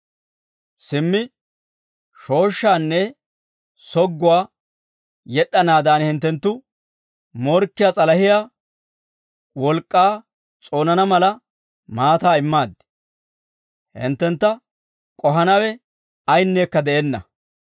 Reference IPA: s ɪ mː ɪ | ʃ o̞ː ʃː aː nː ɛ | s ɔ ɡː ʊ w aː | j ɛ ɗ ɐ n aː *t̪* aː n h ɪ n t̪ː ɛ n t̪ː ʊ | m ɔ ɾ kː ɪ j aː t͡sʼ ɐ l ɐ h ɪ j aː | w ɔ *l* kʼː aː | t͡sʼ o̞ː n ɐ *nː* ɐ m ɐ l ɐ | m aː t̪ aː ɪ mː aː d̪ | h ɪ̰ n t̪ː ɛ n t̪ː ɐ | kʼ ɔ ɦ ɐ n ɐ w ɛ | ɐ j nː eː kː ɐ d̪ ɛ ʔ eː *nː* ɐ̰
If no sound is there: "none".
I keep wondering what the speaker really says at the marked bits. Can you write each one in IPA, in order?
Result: d̪, l, n, nː

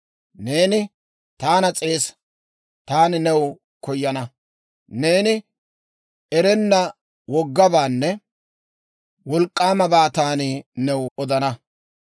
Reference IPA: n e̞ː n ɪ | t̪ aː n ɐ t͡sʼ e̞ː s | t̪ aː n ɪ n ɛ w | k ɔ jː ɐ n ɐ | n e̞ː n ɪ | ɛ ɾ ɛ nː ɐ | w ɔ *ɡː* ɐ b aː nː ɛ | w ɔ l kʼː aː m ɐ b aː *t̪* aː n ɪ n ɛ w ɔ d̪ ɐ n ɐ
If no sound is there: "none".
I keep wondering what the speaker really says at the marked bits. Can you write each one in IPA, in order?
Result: ɡː, t̪

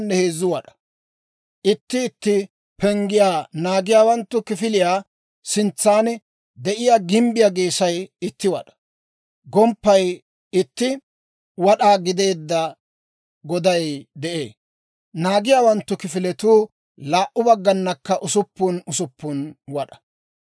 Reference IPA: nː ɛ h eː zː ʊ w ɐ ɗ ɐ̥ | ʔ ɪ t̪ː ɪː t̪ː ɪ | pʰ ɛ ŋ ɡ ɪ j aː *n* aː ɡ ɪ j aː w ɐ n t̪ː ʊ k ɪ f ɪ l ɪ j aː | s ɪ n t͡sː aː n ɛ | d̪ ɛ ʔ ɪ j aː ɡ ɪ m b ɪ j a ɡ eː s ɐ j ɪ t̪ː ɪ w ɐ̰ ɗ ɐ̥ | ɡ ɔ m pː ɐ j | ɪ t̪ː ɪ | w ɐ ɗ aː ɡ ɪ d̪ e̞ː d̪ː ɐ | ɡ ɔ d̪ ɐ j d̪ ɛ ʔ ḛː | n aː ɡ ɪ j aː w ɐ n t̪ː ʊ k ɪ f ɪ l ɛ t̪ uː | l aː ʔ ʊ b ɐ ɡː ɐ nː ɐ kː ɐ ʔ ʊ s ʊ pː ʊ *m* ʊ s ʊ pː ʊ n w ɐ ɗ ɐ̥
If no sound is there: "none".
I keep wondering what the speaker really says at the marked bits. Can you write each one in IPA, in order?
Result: n, n

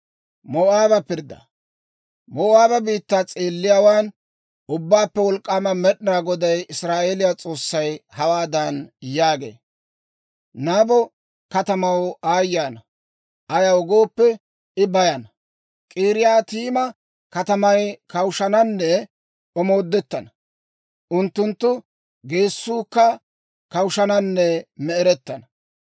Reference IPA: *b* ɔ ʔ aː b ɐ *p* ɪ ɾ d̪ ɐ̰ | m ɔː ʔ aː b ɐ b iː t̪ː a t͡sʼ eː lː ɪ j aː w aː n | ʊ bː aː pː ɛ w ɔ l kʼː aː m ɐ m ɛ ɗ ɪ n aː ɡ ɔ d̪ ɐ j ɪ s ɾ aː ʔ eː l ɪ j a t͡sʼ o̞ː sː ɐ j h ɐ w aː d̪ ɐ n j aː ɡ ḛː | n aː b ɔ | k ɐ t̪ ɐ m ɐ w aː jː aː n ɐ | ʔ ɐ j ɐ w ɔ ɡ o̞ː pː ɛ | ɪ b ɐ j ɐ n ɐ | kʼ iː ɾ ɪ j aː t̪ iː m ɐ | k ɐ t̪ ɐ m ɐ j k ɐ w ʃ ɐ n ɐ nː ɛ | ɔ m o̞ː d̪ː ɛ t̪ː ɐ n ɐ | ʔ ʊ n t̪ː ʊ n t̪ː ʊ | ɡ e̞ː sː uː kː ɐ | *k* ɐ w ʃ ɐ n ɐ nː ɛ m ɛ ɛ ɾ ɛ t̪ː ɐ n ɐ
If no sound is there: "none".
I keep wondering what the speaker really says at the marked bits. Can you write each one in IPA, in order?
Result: m, p, k

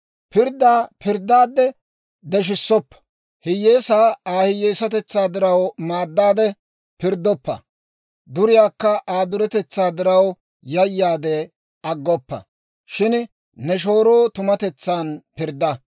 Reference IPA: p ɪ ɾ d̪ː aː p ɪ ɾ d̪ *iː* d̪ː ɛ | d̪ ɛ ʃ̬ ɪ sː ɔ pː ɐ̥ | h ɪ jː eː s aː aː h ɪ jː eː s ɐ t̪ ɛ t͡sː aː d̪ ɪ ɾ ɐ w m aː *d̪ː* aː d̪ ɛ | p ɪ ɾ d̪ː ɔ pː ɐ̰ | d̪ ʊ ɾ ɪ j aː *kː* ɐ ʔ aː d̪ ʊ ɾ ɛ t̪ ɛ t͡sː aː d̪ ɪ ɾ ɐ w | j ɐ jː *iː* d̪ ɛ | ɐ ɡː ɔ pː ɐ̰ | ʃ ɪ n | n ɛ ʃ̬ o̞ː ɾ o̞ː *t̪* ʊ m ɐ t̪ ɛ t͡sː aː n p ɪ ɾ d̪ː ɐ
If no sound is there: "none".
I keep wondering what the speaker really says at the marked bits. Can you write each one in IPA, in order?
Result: aː, d̪ː, kː, aː, t̪

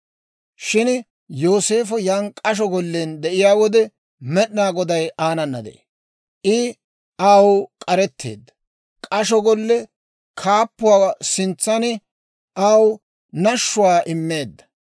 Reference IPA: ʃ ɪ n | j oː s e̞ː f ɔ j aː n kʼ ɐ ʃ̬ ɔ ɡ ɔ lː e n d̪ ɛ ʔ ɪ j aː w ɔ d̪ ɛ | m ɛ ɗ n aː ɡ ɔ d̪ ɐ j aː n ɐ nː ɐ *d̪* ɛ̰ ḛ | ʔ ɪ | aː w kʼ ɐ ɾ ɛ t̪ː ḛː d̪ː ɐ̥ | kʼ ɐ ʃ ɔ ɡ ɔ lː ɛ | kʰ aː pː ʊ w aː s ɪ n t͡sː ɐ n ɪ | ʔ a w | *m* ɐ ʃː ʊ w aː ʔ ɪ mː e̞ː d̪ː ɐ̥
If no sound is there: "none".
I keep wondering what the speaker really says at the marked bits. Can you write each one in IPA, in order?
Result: d̪, n

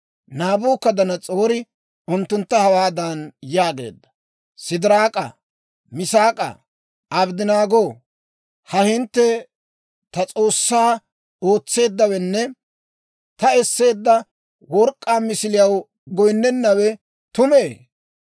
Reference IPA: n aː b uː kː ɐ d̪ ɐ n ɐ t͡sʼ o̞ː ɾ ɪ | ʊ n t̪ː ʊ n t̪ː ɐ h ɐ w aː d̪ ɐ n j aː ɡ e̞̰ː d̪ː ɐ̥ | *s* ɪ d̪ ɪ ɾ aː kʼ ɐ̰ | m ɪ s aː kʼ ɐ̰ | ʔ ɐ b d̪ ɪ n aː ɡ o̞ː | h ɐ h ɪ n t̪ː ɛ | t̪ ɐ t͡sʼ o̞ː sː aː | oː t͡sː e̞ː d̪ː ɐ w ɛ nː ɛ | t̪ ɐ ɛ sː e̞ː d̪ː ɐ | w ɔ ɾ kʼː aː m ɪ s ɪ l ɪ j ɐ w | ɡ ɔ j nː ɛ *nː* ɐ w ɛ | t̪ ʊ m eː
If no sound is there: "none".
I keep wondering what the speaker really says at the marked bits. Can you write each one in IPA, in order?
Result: s, nː

